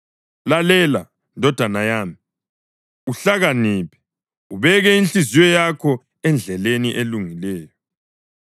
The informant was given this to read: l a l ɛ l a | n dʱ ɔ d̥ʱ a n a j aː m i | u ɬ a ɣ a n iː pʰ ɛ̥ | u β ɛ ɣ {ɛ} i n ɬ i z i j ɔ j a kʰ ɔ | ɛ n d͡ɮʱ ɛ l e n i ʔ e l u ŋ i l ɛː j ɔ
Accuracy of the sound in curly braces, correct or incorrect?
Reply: correct